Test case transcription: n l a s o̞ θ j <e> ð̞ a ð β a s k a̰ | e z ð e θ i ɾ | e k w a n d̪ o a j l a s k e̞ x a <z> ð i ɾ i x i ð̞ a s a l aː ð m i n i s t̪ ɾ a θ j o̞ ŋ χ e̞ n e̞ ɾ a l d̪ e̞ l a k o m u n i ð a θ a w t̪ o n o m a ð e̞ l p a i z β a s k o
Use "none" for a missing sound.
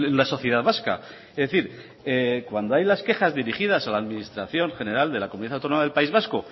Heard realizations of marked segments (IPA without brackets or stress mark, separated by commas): e, z